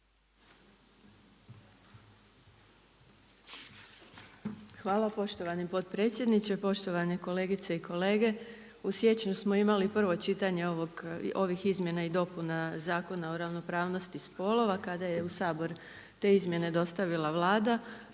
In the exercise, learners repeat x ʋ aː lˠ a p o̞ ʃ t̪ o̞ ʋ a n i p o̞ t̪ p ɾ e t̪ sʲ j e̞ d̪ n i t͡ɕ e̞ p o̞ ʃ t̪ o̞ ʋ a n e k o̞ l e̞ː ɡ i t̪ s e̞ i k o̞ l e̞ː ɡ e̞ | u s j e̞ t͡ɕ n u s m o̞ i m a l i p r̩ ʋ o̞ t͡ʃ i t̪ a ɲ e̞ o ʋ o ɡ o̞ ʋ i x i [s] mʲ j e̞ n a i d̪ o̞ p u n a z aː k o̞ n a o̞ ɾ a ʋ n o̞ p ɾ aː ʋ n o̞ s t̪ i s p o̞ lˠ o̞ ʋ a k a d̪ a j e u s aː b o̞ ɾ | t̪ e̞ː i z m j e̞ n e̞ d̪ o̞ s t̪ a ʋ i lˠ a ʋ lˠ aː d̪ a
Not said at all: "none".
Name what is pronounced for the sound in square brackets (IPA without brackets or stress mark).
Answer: z